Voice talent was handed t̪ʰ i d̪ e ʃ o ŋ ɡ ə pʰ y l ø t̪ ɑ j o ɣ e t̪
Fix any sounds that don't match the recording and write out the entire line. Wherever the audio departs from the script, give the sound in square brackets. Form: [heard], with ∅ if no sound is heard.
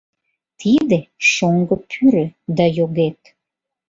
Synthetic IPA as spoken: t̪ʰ i d̪ e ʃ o ŋ ɡ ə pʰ y [ɾ] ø [d̪] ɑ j o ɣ e t̪